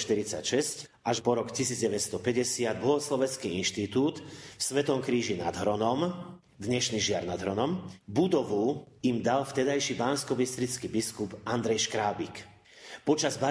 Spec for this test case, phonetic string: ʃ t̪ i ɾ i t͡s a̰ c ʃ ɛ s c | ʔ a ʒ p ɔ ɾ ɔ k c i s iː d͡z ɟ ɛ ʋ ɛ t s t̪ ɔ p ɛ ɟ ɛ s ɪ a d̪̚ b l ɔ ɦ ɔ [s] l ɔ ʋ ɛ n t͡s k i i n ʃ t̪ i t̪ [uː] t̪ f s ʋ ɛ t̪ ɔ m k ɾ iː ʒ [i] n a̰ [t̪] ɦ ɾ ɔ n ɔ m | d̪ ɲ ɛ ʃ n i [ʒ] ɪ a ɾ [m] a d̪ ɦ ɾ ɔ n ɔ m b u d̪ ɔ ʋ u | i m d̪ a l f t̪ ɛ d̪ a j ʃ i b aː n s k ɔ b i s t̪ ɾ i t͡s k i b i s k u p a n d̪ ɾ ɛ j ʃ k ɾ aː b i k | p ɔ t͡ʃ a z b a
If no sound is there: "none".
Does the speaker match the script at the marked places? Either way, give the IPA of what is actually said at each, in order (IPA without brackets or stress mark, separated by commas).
s, uː, i, d̪, ʒ, n